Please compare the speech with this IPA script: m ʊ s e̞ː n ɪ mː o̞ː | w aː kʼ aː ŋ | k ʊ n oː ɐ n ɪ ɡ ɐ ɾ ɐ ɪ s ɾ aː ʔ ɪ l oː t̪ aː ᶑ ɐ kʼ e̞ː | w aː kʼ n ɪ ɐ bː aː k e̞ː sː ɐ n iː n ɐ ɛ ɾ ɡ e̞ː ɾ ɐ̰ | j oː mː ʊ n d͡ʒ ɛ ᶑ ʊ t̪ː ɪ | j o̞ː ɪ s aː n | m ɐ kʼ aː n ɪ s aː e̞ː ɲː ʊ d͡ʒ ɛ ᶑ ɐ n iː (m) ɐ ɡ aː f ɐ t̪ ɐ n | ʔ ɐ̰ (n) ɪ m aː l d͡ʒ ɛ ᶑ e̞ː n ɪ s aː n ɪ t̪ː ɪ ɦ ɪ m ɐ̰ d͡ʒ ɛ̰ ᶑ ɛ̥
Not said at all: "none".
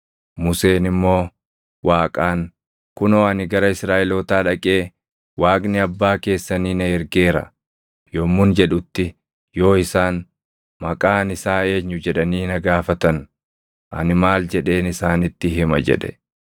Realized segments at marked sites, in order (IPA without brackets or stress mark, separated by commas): n, n